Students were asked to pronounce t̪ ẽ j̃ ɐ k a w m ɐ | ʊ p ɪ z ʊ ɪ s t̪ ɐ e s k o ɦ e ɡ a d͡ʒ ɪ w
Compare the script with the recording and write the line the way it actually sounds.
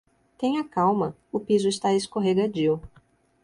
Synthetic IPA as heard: t̪ ẽ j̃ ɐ k a w m ɐ | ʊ p i z ʊ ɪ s t̪ a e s k o ɦ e ɡ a d͡ʒ i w